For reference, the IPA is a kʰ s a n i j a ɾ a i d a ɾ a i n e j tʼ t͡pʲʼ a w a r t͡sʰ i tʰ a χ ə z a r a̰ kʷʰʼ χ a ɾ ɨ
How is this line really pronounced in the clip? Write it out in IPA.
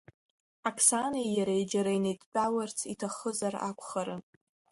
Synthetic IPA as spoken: a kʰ s a n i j a ɾ a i d͡ʒ a ɾ a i n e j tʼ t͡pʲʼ a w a r t͡sʰ i tʰ a χ ə z a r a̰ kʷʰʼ χ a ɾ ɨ